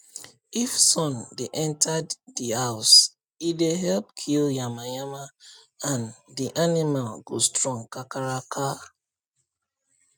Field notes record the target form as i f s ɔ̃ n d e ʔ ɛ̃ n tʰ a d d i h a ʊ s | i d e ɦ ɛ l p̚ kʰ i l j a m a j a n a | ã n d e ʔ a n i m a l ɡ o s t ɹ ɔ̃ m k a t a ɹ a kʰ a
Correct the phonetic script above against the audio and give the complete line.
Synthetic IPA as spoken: i f s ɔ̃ n d e ʔ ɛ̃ n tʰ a d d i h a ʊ s | i d e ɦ ɛ l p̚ kʰ i l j a m a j a m a | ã n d i ʔ a n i m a l ɡ o s t ɹ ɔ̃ ŋ k a k a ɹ a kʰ a